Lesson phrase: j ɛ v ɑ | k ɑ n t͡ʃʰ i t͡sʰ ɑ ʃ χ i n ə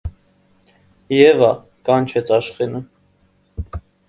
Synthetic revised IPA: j ɛ v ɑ | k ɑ n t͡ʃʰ ɛ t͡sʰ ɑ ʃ χ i n ə